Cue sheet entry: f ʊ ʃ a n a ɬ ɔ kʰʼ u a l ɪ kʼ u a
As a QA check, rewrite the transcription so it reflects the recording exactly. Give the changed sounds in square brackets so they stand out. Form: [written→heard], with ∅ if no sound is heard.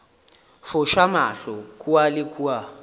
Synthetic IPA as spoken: f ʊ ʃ a [n→m] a ɬ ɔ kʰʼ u a l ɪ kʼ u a